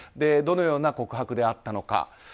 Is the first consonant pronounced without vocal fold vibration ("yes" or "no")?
no